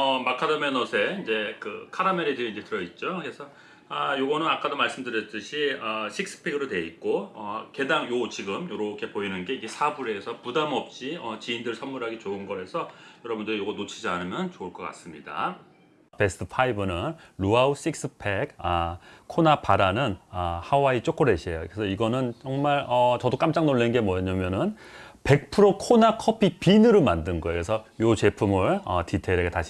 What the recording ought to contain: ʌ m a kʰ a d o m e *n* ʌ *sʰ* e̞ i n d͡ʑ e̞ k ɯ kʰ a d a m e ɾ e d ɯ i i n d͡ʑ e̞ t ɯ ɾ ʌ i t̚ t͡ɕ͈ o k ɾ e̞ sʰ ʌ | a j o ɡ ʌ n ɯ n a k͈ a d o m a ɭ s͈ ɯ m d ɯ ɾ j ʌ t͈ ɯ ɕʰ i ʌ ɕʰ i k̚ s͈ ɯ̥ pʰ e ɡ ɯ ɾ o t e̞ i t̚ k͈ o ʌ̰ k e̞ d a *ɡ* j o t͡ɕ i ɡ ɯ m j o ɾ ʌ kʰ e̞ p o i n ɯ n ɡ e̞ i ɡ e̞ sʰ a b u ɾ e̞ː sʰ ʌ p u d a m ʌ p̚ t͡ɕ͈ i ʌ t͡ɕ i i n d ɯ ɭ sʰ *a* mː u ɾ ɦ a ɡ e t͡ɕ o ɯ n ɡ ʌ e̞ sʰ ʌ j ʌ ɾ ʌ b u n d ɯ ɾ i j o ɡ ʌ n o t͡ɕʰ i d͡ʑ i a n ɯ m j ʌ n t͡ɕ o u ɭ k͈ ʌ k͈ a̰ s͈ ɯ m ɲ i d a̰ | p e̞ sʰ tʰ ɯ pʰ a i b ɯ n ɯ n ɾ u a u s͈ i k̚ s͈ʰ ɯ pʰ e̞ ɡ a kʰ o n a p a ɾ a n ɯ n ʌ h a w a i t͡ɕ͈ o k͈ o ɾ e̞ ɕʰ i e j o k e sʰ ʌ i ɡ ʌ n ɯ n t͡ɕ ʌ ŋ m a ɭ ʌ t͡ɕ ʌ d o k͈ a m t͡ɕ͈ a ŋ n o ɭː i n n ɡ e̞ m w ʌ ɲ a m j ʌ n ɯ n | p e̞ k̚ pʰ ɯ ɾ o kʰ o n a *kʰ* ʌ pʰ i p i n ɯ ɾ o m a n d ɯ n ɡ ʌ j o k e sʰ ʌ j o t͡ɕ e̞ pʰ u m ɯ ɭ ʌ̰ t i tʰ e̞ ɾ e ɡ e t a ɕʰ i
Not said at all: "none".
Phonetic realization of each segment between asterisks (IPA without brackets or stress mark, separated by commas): n, sʰ, ŋ, ʌ, kʰ